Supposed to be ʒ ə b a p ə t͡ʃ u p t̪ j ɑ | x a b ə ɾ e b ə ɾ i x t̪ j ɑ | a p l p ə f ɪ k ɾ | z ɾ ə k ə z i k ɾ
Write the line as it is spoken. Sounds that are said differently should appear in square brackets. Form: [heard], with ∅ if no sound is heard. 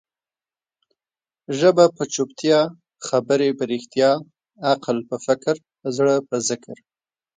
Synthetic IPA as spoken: ʒ ə b a p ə t͡ʃ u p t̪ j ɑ | x a b ə ɾ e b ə ɾ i x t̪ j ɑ | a [q] l p ə f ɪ k ɾ | z [ɽ] ə [p] ə z [ɪ] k ɾ